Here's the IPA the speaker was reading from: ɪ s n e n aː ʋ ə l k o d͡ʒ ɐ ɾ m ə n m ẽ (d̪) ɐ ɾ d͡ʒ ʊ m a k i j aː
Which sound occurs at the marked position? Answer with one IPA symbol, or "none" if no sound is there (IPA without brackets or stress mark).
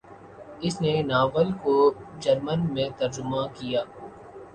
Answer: t̪